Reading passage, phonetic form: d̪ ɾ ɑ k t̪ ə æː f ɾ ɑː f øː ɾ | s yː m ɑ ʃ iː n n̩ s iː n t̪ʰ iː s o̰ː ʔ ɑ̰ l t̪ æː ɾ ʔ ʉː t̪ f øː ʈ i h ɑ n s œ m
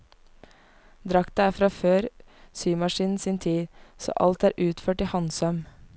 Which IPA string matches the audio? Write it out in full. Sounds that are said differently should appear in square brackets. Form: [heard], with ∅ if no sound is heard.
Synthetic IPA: d̪ ɾ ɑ k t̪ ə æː f ɾ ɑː f øː ɾ | s yː m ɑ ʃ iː n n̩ s iː n t̪ʰ iː s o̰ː ʔ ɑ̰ l t̪ æː ɾ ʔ ʉː t̪ f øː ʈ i h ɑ n s œ m